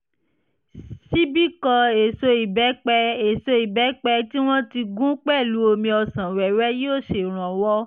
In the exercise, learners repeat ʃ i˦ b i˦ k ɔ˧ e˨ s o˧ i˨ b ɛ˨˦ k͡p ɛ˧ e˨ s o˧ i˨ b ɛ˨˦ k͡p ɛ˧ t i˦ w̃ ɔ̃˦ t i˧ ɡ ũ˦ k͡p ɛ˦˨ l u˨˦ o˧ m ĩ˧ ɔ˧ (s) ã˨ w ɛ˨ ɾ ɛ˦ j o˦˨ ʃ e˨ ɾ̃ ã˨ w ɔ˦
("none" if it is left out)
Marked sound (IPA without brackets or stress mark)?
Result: s